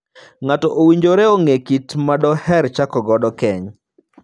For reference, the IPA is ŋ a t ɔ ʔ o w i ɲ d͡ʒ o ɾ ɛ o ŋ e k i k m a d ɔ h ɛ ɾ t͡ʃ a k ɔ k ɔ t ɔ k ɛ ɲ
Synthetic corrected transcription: ŋ a t ɔ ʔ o w i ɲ d͡ʒ o ɾ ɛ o ŋ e k i t m a d ɔ h ɛ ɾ t͡ʃ a k ɔ ɡ ɔ d ɔ k ɛ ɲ